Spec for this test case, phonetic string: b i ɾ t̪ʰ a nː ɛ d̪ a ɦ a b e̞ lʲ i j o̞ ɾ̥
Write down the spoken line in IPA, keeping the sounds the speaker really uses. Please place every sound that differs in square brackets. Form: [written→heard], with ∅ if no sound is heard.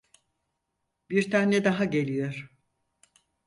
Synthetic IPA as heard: b i ɾ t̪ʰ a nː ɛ d̪ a ɦ a [b→ɟ] e̞ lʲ i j o̞ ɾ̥